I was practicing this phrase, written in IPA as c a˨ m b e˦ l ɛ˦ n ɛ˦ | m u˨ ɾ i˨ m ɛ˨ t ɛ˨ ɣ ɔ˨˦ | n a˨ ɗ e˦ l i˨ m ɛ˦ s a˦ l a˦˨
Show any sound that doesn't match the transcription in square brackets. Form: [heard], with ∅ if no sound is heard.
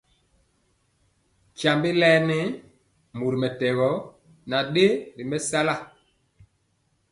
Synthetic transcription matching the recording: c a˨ m b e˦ l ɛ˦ n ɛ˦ | m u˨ ɾ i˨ m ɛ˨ t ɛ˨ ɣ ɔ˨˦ | n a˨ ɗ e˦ [ɾ] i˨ m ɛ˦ s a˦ l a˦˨